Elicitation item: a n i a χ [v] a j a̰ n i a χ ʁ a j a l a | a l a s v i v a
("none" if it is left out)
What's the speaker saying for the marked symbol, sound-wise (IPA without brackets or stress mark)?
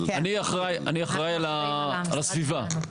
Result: ʁ